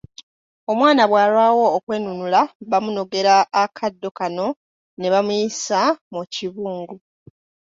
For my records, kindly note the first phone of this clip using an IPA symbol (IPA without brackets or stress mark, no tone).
o̞